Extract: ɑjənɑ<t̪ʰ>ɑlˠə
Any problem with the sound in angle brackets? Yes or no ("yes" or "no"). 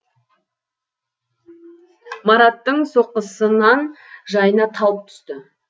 no